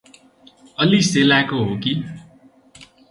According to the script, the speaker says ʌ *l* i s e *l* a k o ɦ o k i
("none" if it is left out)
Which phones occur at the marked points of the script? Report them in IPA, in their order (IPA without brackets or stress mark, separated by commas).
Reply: l, l